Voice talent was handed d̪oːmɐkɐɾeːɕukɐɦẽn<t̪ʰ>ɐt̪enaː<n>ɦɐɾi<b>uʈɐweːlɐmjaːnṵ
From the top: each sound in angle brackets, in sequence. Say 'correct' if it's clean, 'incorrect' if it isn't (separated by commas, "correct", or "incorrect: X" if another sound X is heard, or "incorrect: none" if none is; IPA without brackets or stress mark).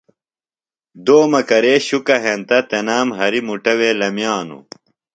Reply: incorrect: t̪, incorrect: m, incorrect: m